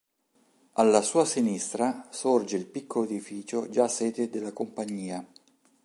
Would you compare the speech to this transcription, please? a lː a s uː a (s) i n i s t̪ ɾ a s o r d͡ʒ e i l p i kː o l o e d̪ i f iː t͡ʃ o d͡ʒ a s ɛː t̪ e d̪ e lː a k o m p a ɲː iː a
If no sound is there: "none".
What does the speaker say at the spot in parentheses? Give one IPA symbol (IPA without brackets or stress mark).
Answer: s